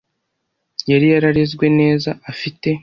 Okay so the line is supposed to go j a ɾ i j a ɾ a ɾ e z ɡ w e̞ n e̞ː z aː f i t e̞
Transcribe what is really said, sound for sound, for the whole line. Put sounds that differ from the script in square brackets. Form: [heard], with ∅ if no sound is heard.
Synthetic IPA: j a ɾ i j a ɾ a ɾ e z ɡ w e̞ n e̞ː z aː f i t e̞

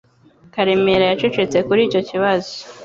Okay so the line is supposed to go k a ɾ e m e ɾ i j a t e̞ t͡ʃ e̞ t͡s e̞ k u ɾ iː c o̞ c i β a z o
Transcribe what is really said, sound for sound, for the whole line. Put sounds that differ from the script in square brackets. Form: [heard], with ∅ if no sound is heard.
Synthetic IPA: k a ɾ e m e ɾ [a] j a [t͡ʃ] e̞ t͡ʃ e̞ t͡s e̞ k u ɾ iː c o̞ c i β a z o

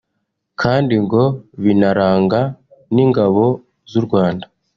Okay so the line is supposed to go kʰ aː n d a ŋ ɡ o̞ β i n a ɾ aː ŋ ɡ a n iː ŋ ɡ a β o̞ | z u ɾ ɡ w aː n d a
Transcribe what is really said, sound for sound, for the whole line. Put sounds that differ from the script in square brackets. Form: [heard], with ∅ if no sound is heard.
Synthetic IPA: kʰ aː n d [i] ŋ ɡ o̞ β i n a ɾ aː ŋ ɡ a n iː ŋ ɡ a β o̞ | z u ɾ ɡ w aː n d a

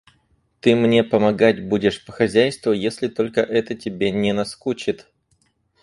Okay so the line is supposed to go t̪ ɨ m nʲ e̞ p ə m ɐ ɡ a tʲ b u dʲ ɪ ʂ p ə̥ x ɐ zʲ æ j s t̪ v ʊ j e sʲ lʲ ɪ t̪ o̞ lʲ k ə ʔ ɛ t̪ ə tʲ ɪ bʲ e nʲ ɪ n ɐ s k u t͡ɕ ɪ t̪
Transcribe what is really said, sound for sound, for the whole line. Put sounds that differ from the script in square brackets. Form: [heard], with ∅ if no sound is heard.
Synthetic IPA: t̪ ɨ m nʲ e̞ p ə m ɐ ɡ a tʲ b u dʲ ɪ ʂ p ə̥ x ɐ zʲ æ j s t̪ v ʊ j e sʲ lʲ ɪ t̪ o̞ lʲ k ə ʔ ɛ t̪ ə tʲ ɪ bʲ e nʲ ɪ n ɐ s k u t͡ɕ ɪ t̪

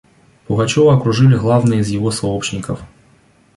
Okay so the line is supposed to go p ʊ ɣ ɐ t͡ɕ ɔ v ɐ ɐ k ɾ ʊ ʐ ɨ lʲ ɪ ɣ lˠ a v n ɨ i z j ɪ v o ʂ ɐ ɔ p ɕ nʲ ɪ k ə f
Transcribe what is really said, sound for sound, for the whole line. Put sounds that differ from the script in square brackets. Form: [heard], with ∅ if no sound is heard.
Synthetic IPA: p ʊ ɣ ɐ t͡ɕ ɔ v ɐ ɐ k ɾ ʊ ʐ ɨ lʲ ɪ ɣ lˠ a v n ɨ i z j ɪ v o [s] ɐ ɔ p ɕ nʲ ɪ k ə f

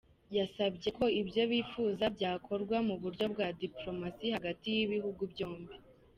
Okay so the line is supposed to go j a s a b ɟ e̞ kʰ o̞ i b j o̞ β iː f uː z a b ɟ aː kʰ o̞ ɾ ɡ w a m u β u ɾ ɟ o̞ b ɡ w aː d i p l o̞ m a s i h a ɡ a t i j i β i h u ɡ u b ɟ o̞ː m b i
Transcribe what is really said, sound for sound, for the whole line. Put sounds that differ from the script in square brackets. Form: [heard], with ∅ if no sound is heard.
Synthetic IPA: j a s a b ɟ e̞ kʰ o̞ i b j o̞ β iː f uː z a b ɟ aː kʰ o̞ ɾ ɡ w a m u β u ɾ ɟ o̞ b ɡ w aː d i p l o̞ m a s i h a ɡ a t i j i β i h u ɡ u b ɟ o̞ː m b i

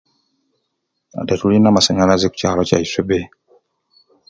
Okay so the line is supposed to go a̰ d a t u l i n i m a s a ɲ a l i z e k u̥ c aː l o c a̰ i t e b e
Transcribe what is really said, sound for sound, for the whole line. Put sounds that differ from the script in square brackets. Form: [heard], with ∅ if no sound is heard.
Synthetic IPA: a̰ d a t u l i n [a] m a s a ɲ a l [a] z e k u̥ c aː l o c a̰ i [s] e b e

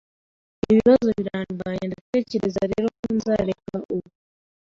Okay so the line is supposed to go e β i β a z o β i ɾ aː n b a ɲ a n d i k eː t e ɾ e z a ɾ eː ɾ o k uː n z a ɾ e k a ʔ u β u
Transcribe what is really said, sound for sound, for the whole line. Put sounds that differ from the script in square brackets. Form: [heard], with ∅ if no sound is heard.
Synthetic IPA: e β i β a z o β i ɾ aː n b a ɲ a n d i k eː [c] e ɾ e z a ɾ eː ɾ o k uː n z a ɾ e k a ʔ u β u

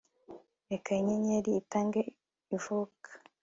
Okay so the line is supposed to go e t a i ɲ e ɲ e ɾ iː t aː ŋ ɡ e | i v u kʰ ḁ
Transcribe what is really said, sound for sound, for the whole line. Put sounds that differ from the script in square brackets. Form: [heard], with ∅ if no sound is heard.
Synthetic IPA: e [k] a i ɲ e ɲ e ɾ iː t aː ŋ ɡ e | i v u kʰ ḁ

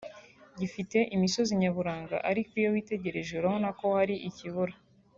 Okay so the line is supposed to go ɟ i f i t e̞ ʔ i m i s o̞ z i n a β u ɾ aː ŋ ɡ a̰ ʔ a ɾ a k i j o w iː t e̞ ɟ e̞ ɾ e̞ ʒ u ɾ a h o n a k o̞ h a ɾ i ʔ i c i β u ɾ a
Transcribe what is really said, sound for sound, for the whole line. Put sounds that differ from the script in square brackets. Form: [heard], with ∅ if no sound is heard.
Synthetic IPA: ɟ i f i t e̞ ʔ i m i s o̞ z i [ɲ] a β u ɾ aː ŋ ɡ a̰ ʔ a ɾ [i] k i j o w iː t e̞ ɟ e̞ ɾ e̞ ʒ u ɾ a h o n a k o̞ h a ɾ i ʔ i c i β u ɾ a

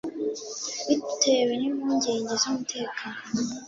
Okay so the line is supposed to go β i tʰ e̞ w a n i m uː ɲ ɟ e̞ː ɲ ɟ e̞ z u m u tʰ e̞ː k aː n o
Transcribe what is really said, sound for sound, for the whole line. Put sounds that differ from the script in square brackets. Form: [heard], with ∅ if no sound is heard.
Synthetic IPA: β i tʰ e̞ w [e] n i m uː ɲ ɟ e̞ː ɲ ɟ e̞ z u m u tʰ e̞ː k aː n o

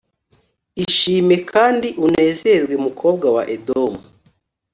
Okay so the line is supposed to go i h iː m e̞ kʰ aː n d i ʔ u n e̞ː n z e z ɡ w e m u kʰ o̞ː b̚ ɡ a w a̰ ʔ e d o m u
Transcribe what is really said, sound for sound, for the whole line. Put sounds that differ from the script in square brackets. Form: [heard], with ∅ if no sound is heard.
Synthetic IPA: i [ʃ] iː m e̞ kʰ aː n d i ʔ u n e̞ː [∅] z e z ɡ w e m u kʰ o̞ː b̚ ɡ a w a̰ ʔ e d o m u

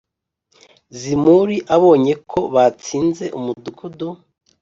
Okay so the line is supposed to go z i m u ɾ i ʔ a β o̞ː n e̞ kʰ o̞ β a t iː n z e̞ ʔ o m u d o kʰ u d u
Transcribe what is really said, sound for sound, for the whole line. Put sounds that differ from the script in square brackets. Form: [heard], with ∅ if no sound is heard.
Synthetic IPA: z i m u ɾ i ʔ a β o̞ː [ɲ] e̞ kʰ o̞ β a [t͡s] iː n z e̞ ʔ [u] m u d [u] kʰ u d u

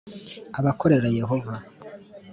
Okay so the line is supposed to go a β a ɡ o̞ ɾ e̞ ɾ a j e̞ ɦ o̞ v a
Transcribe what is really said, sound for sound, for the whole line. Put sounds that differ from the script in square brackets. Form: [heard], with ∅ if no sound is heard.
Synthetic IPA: a β a [k] o̞ ɾ e̞ ɾ a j e̞ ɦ o̞ v a

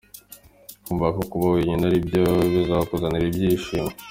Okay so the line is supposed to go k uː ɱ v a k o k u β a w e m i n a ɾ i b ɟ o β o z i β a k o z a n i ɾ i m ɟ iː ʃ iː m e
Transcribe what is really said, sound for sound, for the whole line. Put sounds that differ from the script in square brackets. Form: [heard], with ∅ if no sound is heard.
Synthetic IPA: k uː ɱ v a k o k u β a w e [ɲ] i n a ɾ i b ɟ o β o z [a] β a k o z a n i ɾ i [b] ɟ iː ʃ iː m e

